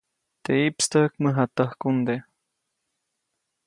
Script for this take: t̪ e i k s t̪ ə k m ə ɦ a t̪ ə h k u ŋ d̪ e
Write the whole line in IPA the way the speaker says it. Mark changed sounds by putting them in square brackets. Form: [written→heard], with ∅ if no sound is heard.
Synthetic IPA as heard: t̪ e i [k→p] s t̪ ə k m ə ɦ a t̪ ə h k u [ŋ→n] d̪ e